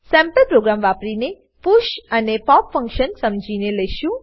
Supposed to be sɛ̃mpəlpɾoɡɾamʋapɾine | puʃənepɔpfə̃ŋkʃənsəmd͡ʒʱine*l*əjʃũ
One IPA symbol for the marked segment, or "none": l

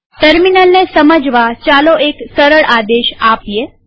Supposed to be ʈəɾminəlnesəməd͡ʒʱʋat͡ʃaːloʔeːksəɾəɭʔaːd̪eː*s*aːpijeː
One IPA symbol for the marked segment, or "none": ʃ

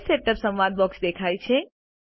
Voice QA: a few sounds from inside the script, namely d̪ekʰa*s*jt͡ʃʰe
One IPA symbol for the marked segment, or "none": none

